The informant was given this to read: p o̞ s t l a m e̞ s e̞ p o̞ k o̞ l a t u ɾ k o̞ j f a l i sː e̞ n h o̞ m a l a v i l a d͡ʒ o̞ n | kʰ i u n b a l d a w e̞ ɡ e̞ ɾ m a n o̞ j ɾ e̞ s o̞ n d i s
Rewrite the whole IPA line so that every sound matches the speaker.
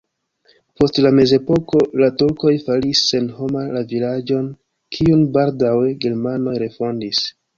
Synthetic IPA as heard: p o̞ s t l a m e̞ z e̞ p o̞ k o̞ l a t u ɾ k o̞ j f a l i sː e̞ n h o̞ m a l a v i l a d͡ʒ o̞ n | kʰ i u n b a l d a w e̞ ɡ e̞ ɾ m a n o̞ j ɾ e̞ f o̞ n d i s